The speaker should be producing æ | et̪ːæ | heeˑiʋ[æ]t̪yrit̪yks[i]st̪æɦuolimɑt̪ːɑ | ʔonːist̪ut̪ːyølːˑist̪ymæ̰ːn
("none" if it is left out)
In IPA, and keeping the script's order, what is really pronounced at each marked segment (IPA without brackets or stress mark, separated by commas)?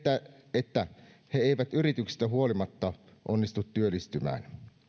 æ, i